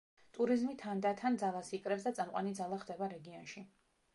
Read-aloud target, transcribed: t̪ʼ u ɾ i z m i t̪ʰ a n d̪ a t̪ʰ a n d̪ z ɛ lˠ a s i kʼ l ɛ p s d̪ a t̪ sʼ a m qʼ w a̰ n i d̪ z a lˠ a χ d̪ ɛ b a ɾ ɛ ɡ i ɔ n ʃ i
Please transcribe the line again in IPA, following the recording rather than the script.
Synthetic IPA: t̪ʼ u ɾ i z m i t̪ʰ a n d̪ a t̪ʰ a n d̪ z a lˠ a s i kʼ ɾ ɛ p s d̪ a t̪ sʼ a m qʼ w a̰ n i d̪ z a lˠ a χ d̪ ɛ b a ɾ ɛ ɡ i ɔ n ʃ i

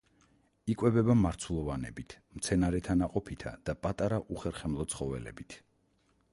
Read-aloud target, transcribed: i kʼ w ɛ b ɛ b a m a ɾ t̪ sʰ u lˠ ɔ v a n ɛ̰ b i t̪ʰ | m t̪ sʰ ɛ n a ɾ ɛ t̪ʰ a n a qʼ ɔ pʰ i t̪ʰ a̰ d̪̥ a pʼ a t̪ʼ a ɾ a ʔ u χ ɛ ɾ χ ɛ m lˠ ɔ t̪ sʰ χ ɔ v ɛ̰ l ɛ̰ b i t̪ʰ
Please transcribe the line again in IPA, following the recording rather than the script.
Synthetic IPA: i kʼ w ɛ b ɛ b a m a ɾ t̪ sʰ u lˠ ɔ v a n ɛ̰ b i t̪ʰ | m t̪ sʰ ɛ n a ɾ ɛ t̪ʰ a n a qʼ ɔ pʰ i t̪ʰ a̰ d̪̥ a pʼ a t̪ʼ a ɾ a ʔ u χ ɛ ɾ χ ɛ m lˠ ɔ t̪ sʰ χ ɔ v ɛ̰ l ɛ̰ b i t̪ʰ

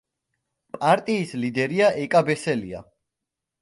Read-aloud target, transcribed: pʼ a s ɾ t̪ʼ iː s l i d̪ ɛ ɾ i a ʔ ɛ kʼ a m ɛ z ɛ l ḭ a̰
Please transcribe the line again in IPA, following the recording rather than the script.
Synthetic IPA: pʼ a ɾ t̪ʼ iː s l i d̪ ɛ ɾ i a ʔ ɛ kʼ a b ɛ s ɛ l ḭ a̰

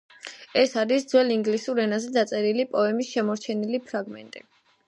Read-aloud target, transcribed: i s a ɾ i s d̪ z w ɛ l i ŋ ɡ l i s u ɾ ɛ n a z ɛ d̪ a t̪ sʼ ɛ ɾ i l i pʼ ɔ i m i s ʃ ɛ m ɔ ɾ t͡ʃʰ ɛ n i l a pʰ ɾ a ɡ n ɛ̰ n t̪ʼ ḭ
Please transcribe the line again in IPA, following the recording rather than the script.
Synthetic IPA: ɛ s a ɾ i s d̪ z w ɛ l i ŋ ɡ l i s u ɾ ɛ n a z ɛ d̪ a t̪ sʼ ɛ ɾ i l i pʼ ɔ ɛ m i s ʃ ɛ m ɔ ɾ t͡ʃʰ ɛ n i l i pʰ ɾ a ɡ m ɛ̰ n t̪ʼ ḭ

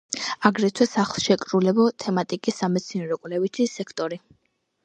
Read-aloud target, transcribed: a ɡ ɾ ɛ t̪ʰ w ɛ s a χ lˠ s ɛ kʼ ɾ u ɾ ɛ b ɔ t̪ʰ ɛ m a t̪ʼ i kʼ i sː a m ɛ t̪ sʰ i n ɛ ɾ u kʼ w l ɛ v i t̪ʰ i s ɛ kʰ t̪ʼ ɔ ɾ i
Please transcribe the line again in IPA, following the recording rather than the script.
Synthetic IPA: a ɡ ɾ ɛ t̪ʰ w ɛ s a χ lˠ ʃ ɛ kʼ ɾ u l ɛ b ɔ t̪ʰ ɛ m a t̪ʼ i kʼ i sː a m ɛ t̪ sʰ i n ɛ ɾ ɔ kʼ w l ɛ v i t̪ʰ i s ɛ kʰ t̪ʼ ɔ ɾ i

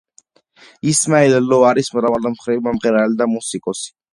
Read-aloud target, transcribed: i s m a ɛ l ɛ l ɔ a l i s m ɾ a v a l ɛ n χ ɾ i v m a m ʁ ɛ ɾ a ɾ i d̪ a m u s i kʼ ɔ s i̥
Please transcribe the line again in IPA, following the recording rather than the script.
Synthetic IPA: i s m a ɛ l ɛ l ɔ a ɾ i s m ɾ a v a l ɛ m χ ɾ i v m a m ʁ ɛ ɾ a l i d̪ a m u s i kʼ ɔ s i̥

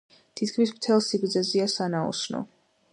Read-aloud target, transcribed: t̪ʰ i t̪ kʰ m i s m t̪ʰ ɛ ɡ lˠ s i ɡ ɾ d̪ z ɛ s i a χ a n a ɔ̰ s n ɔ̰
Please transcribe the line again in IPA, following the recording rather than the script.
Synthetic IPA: t̪ʰ i t̪ kʰ m i s m t̪ʰ ɛ lˠ s i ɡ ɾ d̪ z ɛ z i a s a n a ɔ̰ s n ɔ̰

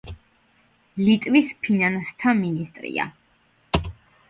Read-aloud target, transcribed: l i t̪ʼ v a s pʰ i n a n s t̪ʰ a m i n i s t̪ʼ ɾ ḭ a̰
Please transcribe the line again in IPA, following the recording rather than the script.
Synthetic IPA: l i t̪ʼ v i s pʰ i n a n s t̪ʰ a m i n i s t̪ʼ ɾ ḭ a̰

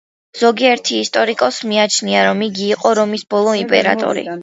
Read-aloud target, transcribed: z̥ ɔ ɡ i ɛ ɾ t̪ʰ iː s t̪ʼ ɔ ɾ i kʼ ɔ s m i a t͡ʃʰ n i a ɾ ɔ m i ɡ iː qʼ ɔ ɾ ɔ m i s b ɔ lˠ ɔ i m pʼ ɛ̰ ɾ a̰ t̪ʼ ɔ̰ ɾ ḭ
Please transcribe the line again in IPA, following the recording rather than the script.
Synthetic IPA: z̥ ɔ ɡ i ɛ ɾ t̪ʰ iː s t̪ʼ ɔ ɾ i kʼ ɔ s m i a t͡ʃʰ n i a ɾ ɔ m i ɡ iː qʼ ɔ ɾ ɔ m i s b ɔ lˠ ɔ i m pʼ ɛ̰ ɾ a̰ t̪ʼ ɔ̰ ɾ ḭ

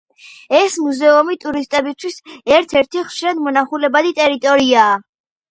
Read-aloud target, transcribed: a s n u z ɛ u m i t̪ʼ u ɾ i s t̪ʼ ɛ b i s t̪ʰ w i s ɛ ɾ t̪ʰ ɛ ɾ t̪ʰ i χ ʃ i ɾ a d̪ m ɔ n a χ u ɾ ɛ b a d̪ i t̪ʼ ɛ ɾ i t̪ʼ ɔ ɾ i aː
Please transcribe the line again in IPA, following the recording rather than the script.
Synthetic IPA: ɛ s m u z ɛ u m i t̪ʼ u ɾ i s t̪ʼ ɛ b i s t̪ʰ w i s ɛ ɾ t̪ʰ ɛ ɾ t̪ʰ i χ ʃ i ɾ a d̪ m ɔ n a χ u l ɛ b a d̪ i t̪ʼ ɛ ɾ i t̪ʼ ɔ ɾ i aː

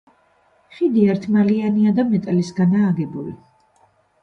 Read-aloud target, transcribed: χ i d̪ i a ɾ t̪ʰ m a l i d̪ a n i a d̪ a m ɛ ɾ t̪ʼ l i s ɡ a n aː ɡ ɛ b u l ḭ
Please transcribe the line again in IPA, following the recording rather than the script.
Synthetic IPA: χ i d̪ i a ɾ t̪ʰ m a l i a n i a d̪ a m ɛ t̪ʼ l i s ɡ a n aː ɡ ɛ b u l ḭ

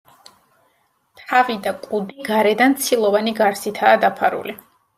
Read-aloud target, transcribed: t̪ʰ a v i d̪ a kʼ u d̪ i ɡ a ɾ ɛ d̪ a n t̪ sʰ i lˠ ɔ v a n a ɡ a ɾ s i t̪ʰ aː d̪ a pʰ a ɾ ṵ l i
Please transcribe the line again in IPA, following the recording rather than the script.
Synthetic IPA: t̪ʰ a v i d̪ a kʼ u d̪ i ɡ a ɾ ɛ d̪ a n t̪ sʰ i lˠ ɔ v a n i ɡ a ɾ s i t̪ʰ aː d̪ a pʰ a ɾ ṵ l i

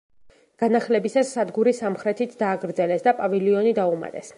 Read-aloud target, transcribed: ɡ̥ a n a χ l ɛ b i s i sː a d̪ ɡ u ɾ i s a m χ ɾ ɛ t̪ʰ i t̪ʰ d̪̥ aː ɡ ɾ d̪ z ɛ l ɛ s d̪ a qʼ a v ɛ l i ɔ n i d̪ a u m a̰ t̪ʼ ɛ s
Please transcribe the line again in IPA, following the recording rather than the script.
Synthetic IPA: ɡ̥ a n a χ l ɛ b i s a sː a d̪ ɡ u ɾ i s a m χ ɾ ɛ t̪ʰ i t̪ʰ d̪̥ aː ɡ ɾ d̪ z ɛ l ɛ s d̪ a pʼ a v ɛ l i ɔ n i d̪ a u m a̰ t̪ʼ ɛ s

